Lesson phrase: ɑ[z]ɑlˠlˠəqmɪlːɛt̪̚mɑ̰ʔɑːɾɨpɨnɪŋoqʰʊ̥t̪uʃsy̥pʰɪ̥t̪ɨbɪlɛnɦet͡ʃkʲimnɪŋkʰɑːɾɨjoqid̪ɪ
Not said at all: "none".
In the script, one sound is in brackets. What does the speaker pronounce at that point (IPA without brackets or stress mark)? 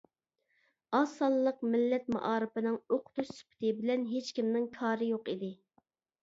s